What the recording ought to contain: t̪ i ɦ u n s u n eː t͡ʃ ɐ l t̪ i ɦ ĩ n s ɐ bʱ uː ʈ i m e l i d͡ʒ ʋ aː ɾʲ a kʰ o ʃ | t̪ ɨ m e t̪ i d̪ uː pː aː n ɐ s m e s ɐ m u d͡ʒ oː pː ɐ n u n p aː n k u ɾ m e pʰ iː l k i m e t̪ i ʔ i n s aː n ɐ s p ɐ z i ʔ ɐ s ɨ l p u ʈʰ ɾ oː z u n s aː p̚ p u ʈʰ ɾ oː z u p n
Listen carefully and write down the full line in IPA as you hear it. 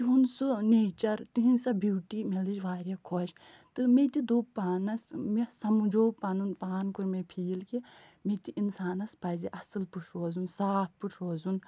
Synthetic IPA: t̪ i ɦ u n s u n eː t͡ʃ ɐ ɾ t̪ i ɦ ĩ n s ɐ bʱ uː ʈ i m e l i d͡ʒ ʋ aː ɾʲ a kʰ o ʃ | t̪ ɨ m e t̪ i d̪ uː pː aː n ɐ s m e s ɐ m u d͡ʒ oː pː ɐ n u n p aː n k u ɾ m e pʰ iː l k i m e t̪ i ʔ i n s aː n ɐ s p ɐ z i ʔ ɐ s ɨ l p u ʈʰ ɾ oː z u n s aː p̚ p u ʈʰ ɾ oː z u n

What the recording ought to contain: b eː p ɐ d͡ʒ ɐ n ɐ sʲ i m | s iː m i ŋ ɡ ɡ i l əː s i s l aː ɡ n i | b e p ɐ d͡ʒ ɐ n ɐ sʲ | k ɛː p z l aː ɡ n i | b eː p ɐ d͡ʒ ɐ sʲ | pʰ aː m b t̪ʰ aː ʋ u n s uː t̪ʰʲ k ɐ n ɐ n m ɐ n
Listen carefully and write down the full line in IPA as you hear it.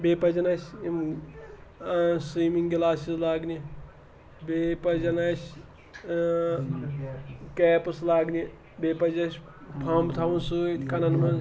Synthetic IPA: b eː p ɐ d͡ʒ ɐ n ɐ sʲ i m | s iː m i ŋ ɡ ɡ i l aː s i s l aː ɡ n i | b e p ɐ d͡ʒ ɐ n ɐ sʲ | k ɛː p s l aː ɡ n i | b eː p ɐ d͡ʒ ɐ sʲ | pʰ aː m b t̪ʰ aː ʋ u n s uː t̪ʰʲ k ɐ n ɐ n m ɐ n

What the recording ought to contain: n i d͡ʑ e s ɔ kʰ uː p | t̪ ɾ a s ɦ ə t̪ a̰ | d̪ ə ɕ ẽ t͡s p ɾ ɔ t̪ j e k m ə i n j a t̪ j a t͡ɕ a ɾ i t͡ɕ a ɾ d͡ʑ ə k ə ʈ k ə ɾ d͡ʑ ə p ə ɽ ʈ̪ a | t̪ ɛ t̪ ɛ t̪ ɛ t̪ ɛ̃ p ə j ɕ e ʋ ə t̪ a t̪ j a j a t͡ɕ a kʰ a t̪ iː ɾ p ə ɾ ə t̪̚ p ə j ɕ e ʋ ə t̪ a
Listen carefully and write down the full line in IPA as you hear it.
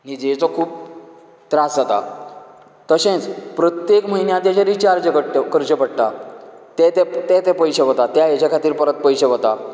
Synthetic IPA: n i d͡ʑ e t͡s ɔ kʰ uː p | t̪ ɾ a s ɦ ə t̪ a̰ | t̪ ə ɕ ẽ t͡s p ɾ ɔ t̪ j e k m ə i n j a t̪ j a t͡ɕ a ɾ i t͡ɕ a ɾ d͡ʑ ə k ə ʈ k ə ɾ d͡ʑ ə p ə ɽ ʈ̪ a | t̪ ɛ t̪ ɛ t̪ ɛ t̪ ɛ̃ p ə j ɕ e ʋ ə t̪ a t̪ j a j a t͡ɕ a kʰ a t̪ iː ɾ p ə ɾ ə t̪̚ p ə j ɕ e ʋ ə t̪ a

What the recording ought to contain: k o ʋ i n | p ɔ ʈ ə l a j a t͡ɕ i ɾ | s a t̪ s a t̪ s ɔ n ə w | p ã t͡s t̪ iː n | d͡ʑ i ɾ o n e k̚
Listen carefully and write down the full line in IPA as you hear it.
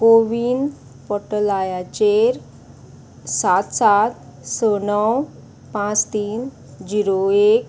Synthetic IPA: k o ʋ i n | p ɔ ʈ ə l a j a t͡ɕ e ɾ | s a t̪ s a t̪ s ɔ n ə w | p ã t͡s t̪ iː n | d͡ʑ i ɾ o e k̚

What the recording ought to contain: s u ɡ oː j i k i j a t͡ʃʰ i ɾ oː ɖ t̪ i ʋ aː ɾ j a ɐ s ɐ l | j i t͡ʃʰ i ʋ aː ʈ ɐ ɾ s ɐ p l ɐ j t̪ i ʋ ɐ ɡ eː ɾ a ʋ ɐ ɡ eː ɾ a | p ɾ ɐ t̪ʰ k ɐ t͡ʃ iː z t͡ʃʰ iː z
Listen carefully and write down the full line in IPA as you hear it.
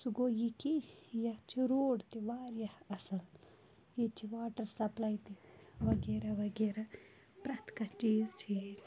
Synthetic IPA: s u ɡ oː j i k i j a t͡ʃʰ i ɾ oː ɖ t̪ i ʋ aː ɾ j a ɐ s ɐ l | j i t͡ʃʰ i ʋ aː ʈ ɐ ɾ s ɐ p l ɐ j t̪ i ʋ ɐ ɡ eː ɾ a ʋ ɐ ɡ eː ɾ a | p ɾ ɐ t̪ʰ k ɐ t͡ʃ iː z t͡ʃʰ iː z

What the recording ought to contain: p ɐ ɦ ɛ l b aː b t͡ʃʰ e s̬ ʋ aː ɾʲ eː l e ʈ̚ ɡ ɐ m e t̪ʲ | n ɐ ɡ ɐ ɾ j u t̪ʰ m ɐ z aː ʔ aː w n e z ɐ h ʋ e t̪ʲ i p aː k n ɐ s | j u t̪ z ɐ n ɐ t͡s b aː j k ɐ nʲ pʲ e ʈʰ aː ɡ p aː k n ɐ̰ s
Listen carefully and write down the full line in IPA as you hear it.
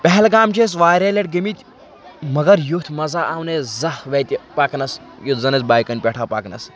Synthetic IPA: p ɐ ɦ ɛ l ɡ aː m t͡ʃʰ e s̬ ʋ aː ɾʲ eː l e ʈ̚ ɡ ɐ m i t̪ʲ | m ɐ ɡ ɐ ɾ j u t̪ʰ m ɐ z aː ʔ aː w n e z ɐ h ʋ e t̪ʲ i p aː k n ɐ s | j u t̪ z ɐ n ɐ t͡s b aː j k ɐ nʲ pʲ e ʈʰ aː p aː k n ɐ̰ s

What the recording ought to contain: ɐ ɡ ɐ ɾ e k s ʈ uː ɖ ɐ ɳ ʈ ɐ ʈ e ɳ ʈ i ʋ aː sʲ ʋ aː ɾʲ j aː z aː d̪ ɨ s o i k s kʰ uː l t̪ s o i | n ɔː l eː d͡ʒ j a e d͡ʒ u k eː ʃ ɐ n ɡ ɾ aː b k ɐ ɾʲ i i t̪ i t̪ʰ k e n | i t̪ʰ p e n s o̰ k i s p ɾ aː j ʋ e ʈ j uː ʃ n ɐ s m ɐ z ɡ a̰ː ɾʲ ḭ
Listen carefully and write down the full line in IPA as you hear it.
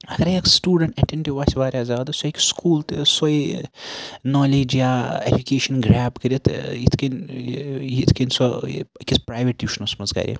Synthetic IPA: ɐ ɡ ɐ ɾ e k s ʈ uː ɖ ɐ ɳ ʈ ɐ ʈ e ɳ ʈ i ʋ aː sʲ ʋ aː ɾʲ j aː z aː d̪ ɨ s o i k s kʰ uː l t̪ s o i | n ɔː l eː d͡ʒ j a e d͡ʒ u k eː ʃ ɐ n ɡ ɾ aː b k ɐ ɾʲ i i t̪ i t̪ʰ k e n | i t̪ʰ k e n s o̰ k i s p ɾ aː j ʋ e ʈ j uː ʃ n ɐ s m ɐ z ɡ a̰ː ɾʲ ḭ

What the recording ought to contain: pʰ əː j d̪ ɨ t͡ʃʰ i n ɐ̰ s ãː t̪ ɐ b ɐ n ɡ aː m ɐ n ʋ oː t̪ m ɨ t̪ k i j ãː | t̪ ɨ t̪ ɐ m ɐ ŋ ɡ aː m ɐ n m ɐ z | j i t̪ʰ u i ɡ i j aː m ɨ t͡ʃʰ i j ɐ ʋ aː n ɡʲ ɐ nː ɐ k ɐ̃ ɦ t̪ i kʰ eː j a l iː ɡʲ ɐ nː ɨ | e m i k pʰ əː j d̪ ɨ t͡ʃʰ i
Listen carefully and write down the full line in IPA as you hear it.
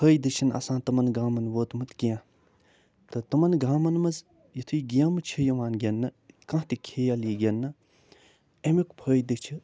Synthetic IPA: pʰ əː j d̪ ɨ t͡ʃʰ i n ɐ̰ s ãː t̪ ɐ m ɐ n ɡ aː m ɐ n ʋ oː t̪ m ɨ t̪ k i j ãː | t̪ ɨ t̪ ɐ m ɐ n ɡ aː m ɐ n m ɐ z | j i t̪ʰ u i ɡ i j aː m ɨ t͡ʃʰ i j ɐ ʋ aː n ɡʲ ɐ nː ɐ k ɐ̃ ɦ t̪ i kʰ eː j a l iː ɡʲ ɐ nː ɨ | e m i k pʰ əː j d̪ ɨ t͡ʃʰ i

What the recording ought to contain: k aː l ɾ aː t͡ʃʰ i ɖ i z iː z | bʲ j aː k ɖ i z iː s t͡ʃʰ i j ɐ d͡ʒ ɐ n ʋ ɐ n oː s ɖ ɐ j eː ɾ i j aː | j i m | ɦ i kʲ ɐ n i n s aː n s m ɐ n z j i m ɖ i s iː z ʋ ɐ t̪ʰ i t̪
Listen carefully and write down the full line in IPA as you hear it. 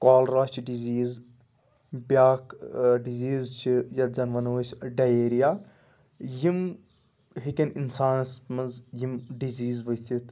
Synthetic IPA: k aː l ɾ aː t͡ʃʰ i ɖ i z iː z | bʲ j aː k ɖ i z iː z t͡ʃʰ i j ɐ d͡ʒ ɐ n ʋ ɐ n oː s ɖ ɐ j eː ɾ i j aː | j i m | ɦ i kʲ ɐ n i n s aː n s m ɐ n z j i m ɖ i z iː z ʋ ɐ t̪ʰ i t̪

